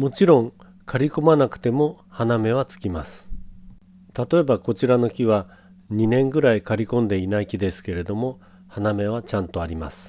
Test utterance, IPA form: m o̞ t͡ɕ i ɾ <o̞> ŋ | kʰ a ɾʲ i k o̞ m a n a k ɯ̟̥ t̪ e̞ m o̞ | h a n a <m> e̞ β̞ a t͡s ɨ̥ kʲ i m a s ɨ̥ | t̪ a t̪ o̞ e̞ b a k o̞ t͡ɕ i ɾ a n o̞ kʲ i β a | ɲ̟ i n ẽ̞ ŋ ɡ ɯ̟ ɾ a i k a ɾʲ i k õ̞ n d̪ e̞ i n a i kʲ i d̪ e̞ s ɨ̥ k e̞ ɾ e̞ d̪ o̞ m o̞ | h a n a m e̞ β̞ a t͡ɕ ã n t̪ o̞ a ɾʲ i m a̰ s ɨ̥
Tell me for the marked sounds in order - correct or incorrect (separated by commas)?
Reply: incorrect, correct